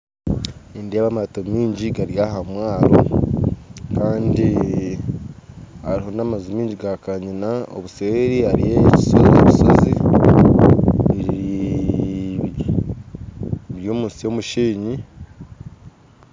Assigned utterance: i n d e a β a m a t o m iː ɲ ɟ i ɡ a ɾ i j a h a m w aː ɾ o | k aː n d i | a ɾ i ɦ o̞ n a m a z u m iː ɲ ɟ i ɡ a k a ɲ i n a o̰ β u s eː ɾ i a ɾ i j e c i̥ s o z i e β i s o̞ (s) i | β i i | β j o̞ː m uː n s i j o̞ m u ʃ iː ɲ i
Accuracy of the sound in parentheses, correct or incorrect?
incorrect